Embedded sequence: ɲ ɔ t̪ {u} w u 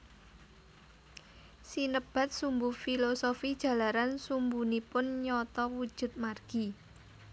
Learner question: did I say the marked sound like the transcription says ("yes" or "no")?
no